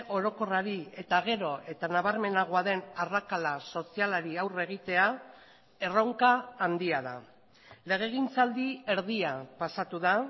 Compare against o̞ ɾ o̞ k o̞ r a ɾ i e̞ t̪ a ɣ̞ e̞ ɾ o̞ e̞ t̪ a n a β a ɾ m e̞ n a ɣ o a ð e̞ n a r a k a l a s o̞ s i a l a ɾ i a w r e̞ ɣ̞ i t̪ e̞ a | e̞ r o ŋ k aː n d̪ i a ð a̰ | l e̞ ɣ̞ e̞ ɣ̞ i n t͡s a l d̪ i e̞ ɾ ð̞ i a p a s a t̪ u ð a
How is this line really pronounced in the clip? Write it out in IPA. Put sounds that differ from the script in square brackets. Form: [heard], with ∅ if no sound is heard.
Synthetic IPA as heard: o̞ ɾ o̞ k o̞ r a ɾ i e̞ t̪ a ɣ̞ e̞ ɾ o̞ e̞ t̪ a n a β a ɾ m e̞ n a ɣ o a ð e̞ n a r a k a l a s o̞ s i a l a ɾ i a w r e̞ ɣ̞ i t̪ e̞ a | e̞ r o ŋ k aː n d̪ i a ð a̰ | l e̞ ɣ̞ e̞ ɣ̞ i n t͡s a l d̪ i e̞ ɾ ð̞ i a p a s a t̪ u ð a